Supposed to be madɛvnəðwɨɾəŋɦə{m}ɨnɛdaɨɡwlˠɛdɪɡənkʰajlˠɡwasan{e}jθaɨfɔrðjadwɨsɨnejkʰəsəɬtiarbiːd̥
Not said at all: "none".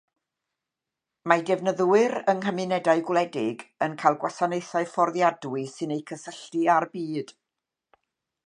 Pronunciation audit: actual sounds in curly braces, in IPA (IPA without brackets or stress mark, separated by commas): m, e